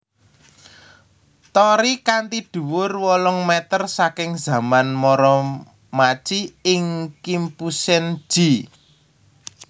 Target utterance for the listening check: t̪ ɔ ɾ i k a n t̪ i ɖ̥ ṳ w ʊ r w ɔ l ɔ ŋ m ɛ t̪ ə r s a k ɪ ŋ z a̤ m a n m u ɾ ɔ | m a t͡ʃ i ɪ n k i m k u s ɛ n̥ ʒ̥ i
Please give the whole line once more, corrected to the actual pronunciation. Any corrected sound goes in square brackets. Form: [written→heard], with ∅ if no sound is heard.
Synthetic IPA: t̪ ɔ ɾ i k a n t̪ i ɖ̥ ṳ w ʊ r w ɔ l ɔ ŋ m ɛ t̪ ə r s a k ɪ ŋ z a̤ m a n m [u→ɔ] ɾ ɔ | m a t͡ʃ i ɪ [n→ŋ] k i m [k→p] u s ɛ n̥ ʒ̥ i